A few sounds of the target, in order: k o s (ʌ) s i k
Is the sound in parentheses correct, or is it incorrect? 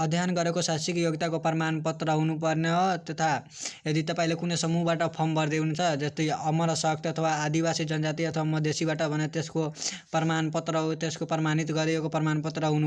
incorrect: a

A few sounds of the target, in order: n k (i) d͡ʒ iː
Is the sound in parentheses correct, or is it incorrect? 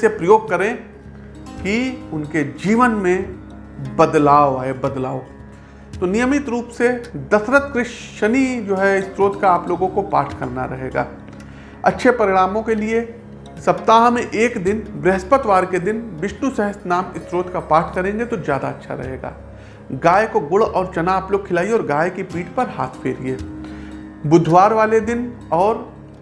incorrect: e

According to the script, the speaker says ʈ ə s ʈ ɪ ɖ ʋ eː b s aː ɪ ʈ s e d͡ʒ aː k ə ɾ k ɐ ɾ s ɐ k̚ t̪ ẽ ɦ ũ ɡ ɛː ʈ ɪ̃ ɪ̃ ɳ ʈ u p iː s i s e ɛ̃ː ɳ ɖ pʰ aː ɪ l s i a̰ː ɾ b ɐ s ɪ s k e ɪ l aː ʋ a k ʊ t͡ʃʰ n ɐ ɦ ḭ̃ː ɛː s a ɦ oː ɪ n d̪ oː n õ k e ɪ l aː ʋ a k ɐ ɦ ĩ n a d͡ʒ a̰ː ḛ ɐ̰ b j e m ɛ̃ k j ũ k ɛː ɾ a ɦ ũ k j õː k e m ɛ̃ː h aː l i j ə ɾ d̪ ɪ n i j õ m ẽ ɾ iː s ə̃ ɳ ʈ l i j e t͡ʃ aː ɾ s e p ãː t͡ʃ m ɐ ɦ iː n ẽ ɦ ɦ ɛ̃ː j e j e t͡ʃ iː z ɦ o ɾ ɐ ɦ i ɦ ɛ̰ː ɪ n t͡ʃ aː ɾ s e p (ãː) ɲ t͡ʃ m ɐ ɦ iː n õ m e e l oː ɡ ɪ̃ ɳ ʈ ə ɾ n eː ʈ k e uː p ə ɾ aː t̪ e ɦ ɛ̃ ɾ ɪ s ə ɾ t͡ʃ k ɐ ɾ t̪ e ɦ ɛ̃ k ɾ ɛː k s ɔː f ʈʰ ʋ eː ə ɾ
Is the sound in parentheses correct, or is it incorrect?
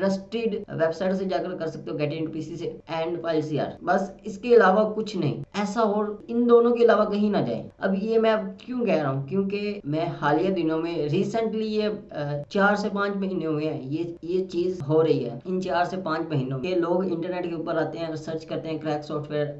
correct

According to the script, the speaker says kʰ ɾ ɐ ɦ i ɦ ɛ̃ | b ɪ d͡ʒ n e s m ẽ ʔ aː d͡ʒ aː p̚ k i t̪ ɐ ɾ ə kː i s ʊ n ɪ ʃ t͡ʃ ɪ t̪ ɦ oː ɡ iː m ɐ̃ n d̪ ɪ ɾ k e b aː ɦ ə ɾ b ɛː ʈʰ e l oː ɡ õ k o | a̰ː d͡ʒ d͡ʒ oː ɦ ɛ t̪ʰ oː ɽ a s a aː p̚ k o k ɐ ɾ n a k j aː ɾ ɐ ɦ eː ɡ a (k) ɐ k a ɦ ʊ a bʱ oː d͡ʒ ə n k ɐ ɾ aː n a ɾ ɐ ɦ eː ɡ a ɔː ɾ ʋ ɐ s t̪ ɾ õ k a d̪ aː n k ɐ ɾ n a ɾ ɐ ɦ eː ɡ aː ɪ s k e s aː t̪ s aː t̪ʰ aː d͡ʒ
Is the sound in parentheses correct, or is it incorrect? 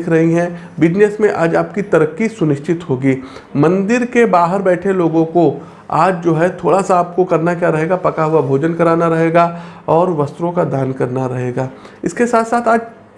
incorrect: p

